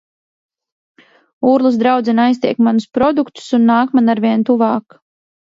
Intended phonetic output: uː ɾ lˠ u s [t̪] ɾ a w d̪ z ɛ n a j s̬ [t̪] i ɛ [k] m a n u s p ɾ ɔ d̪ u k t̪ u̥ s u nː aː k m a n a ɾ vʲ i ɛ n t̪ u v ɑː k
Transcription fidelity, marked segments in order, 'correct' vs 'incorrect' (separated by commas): incorrect, correct, correct